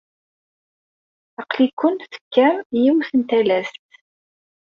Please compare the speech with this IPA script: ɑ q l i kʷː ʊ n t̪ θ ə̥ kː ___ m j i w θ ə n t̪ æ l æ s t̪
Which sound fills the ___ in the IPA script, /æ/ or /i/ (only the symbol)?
æ